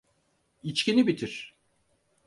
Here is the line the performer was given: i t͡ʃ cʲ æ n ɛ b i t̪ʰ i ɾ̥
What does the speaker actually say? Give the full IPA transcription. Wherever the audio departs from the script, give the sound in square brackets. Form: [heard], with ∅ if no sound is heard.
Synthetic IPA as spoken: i t͡ʃ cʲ [i] n [i] b i t̪ʰ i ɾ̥